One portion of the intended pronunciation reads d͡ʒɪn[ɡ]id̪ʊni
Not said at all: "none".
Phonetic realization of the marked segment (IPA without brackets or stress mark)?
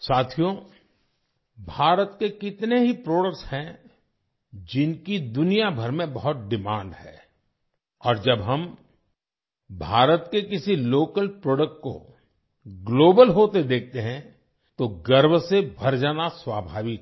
k